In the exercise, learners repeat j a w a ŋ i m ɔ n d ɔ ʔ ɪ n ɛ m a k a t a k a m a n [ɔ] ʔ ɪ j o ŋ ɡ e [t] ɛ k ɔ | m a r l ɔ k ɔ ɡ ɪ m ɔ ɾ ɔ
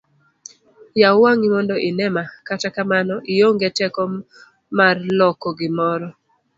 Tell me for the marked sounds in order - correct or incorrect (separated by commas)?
correct, correct